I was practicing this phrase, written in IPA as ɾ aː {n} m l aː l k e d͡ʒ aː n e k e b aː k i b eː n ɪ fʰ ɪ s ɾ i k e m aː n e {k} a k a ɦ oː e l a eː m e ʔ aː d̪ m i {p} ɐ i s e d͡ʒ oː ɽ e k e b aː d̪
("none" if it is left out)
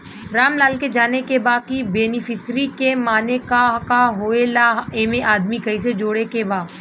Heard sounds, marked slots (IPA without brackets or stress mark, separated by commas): none, k, k